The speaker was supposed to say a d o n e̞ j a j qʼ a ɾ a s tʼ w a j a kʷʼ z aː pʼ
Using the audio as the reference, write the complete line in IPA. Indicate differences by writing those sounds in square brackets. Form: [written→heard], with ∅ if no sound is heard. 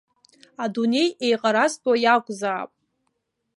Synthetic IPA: a d [o→u] n e̞ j [a→e] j qʼ a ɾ a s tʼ w a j a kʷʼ z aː pʼ